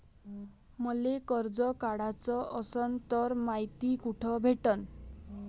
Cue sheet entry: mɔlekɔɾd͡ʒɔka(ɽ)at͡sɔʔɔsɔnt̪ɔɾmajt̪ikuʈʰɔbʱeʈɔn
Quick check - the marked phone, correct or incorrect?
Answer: correct